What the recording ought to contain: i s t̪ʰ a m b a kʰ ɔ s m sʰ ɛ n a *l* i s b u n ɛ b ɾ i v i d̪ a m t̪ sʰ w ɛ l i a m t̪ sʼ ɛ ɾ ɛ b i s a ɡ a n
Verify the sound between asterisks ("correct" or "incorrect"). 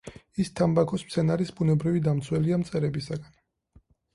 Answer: incorrect